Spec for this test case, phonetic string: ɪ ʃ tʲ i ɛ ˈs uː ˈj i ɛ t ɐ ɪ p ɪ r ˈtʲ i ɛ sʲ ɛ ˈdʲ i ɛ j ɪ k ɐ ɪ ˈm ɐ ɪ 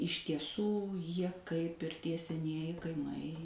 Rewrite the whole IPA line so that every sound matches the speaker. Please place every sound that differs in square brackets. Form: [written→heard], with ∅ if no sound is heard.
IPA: ɪ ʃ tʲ i ɛ ˈs uː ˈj i ɛ [t→k] ɐ ɪ p ɪ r ˈtʲ i ɛ sʲ ɛ [ˈdʲ→ˈnʲ] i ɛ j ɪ k ɐ ɪ ˈm ɐ ɪ